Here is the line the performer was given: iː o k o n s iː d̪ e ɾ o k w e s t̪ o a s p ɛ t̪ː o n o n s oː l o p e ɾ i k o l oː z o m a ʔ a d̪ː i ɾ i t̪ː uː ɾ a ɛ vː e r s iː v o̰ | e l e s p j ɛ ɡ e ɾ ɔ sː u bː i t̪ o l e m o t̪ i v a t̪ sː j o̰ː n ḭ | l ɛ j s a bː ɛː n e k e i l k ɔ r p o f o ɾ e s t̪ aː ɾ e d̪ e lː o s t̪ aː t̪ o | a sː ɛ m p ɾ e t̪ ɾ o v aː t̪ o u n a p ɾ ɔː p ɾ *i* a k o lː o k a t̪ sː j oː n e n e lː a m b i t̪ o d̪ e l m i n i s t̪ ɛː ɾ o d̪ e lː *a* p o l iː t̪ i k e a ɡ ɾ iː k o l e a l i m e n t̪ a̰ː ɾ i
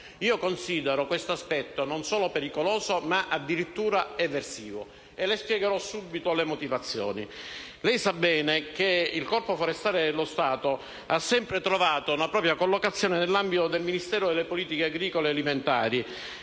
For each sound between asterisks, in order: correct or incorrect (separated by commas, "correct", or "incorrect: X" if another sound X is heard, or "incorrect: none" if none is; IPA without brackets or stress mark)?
incorrect: j, incorrect: e